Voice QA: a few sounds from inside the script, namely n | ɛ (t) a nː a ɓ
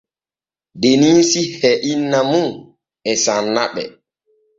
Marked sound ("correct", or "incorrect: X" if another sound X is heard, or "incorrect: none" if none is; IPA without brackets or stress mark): incorrect: s